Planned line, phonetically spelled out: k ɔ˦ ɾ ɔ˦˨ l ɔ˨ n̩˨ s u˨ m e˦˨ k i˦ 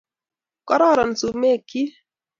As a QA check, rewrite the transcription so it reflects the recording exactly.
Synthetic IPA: k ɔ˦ ɾ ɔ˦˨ ɾ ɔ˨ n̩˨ s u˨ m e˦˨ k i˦